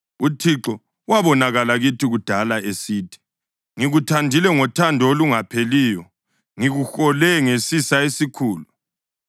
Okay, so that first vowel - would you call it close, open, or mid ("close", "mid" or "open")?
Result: close